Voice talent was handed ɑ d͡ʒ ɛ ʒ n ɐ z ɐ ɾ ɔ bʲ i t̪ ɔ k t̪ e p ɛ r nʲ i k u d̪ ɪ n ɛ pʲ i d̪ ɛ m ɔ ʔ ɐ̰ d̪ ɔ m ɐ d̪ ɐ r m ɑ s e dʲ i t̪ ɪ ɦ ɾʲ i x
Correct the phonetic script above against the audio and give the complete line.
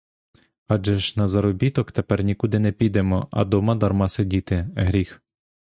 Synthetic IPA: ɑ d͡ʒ ɛ ʒ n ɐ z ɐ ɾ ɔ bʲ i t̪ ɔ k t̪ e p ɛ r nʲ i k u d̪ ɪ n ɛ pʲ i d̪ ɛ m ɔ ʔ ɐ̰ d̪ ɔ m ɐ d̪ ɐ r m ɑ s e dʲ i t̪ ɪ ɦ ɾʲ i x